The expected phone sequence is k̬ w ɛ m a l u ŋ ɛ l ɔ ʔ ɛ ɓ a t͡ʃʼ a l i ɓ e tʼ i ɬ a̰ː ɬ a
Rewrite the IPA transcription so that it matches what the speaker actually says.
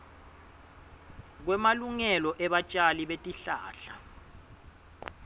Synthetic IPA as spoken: k̬ w ɛ m a l u ŋ ɛ l ɔ ʔ ɛ ɓ a t͡ʃʼ a l i ɓ e tʼ i ɬ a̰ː ɬ a